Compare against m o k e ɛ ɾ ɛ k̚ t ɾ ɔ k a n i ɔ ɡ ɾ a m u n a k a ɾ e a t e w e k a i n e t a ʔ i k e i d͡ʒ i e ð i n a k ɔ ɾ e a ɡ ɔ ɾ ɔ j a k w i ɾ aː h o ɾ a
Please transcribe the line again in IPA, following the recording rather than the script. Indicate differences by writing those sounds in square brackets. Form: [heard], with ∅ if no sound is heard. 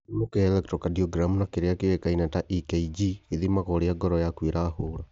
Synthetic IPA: m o k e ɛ [l] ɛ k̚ t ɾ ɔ k a [d] i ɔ ɡ ɾ a m u n a k [e] ɾ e a [k] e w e k a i n [a] t a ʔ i k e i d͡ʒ i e ð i [m] a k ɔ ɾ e a ɡ ɔ ɾ ɔ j a k w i ɾ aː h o ɾ a